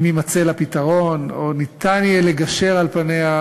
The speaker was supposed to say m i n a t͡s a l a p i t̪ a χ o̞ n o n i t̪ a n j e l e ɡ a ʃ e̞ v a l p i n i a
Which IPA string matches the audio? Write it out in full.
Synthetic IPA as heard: m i m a t͡s e l a p i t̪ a ʁ o̞ n o n i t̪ a n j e l e ɡ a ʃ e̞ ʁ a l p a n e a